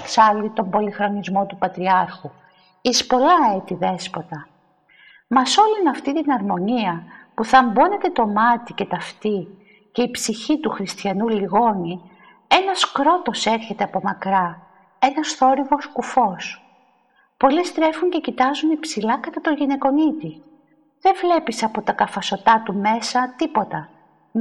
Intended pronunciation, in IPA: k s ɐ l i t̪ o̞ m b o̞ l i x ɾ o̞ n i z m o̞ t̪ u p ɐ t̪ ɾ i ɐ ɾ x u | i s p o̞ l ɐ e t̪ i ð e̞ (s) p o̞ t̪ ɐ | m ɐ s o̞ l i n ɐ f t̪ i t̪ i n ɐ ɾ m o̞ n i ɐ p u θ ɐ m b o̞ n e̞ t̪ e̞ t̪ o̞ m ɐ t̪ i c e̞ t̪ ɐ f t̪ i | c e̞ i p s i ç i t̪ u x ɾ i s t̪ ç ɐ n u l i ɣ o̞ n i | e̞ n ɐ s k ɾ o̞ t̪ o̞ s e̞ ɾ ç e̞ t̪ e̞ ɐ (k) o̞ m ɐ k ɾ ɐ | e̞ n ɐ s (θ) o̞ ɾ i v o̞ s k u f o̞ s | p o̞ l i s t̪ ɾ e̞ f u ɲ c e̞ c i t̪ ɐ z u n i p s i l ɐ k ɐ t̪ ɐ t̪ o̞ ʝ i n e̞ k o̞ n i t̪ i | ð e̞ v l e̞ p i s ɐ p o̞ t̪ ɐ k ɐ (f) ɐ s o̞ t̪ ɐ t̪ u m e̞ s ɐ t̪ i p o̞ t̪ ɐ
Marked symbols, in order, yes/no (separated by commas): yes, no, yes, yes